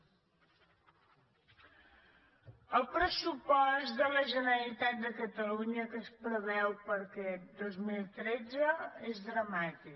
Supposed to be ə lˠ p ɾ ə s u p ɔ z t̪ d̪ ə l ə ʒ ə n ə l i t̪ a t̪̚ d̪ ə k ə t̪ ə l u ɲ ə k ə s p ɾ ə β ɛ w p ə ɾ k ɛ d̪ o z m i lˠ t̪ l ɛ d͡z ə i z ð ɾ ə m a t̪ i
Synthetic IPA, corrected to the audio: ə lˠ p ɾ ə s u p ɔ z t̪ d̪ ə l ə ʒ ə n ə l i t̪ a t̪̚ d̪ ə k ə t̪ ə l u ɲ ə k ə s p ɾ ə β ɛ w p ə ɾ k ɛ d̪ o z m i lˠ t̪ ɾ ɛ d͡z ə e z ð ɾ ə m a t̪ i